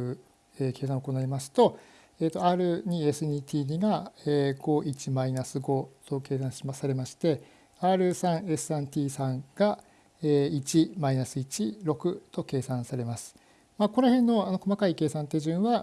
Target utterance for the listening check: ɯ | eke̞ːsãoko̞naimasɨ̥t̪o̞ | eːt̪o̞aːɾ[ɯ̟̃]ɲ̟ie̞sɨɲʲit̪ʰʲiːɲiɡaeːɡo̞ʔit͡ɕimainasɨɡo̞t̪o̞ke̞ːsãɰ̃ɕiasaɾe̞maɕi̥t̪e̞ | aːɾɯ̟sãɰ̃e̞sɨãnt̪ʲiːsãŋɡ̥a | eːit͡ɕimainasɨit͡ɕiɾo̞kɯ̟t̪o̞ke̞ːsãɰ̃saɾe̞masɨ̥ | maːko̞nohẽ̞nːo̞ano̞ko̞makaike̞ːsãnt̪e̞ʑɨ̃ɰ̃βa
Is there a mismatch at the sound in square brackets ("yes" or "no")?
yes